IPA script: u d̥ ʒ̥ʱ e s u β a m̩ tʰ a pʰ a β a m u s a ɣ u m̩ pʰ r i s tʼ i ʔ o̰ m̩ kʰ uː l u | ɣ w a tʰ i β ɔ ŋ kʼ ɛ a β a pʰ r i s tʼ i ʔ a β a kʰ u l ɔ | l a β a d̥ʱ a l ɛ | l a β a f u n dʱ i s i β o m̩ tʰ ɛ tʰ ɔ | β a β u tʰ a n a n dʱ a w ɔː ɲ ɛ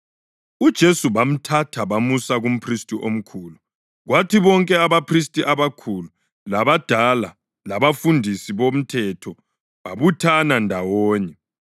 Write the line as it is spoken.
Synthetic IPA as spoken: u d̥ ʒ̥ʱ e s u β a m̩ tʰ a tʰ a β a m u s a ɣ u m̩ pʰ r i s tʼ i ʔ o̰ m̩ kʰ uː l u | ɣ w a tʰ i β ɔ ŋ kʼ ɛ a β a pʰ r i s tʼ i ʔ a β a kʰ u l u | l a β a d̥ʱ a l a | l a β a f u n dʱ i s i β o m̩ tʰ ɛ tʰ ɔ | β a β u tʰ a n a n dʱ a w ɔː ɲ ɛ